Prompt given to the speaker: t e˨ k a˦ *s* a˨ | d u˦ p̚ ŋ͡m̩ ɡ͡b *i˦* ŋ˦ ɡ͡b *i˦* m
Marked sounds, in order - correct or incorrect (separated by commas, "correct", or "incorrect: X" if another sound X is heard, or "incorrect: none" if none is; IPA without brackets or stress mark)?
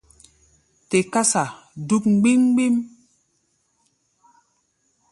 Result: correct, correct, correct